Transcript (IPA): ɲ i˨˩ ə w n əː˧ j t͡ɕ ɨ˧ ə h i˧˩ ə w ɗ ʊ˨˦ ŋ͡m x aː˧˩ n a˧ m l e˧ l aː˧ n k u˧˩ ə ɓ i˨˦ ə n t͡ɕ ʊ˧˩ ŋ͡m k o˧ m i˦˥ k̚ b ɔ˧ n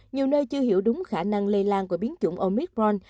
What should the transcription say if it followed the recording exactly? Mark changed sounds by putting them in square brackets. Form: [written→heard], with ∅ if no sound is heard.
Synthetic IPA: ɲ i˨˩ ə w n əː˧ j t͡ɕ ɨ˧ ə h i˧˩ ə w ɗ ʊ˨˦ ŋ͡m x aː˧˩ n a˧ [m→ŋ] l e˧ l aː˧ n k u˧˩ ə ɓ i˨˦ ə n t͡ɕ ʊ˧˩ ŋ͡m [k→ʔ] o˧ m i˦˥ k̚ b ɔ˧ n